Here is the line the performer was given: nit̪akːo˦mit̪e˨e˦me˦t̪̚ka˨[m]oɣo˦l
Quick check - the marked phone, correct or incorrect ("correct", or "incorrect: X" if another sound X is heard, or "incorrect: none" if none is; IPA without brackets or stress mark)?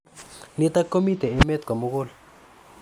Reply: correct